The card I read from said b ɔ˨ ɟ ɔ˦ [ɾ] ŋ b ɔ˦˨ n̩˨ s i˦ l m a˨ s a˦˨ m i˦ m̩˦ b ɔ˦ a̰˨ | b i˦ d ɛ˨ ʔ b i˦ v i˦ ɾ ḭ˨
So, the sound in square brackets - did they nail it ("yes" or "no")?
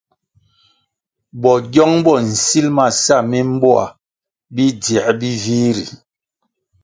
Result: no